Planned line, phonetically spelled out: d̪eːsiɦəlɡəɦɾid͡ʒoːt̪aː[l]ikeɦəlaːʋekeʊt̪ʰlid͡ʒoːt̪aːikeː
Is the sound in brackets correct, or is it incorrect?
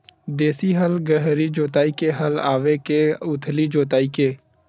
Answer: incorrect